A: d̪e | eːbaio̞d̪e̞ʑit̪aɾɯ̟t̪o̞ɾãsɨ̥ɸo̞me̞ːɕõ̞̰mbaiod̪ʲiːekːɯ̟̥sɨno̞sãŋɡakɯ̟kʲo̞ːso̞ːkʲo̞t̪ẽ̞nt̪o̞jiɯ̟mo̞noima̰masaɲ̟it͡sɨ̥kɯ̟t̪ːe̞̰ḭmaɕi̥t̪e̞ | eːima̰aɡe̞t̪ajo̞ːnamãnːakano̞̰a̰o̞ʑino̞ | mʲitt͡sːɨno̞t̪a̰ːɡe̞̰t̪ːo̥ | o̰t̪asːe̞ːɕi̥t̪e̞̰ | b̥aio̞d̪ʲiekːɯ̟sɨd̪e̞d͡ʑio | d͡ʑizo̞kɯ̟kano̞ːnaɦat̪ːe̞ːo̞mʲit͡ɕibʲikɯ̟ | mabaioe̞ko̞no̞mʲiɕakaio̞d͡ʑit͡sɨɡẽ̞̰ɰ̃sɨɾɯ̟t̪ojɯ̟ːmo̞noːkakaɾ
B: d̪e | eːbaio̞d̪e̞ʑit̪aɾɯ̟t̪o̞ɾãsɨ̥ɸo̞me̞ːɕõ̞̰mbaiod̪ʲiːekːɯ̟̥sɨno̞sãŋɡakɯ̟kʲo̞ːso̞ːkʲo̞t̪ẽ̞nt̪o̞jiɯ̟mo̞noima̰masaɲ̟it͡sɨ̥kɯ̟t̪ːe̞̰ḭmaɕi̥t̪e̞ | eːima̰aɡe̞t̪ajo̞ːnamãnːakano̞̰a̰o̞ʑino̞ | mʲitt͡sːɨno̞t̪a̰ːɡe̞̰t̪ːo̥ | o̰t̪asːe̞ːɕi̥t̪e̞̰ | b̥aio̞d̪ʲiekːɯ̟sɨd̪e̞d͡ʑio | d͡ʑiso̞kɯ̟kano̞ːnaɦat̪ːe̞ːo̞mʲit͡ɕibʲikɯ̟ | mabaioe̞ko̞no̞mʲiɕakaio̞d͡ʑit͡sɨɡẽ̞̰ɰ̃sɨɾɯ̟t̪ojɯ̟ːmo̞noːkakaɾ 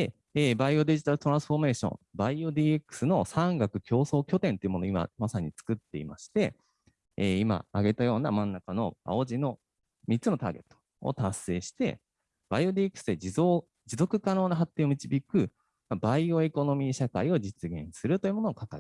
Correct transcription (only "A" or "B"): A